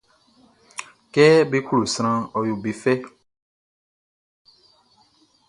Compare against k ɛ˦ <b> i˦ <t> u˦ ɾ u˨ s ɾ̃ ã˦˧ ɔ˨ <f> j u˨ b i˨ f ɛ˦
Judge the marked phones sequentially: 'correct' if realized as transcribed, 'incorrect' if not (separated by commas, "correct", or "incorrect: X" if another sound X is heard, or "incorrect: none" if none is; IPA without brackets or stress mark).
correct, incorrect: k, incorrect: none